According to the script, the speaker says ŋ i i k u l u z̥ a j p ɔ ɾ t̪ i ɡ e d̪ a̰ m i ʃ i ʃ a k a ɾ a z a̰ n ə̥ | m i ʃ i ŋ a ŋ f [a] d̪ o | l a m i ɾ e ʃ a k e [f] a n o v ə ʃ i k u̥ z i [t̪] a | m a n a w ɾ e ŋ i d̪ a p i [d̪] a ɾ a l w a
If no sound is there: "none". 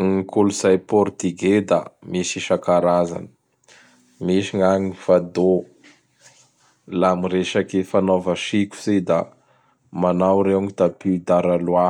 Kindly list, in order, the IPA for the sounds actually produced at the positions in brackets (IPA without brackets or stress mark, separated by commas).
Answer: a, f, d̪, d̪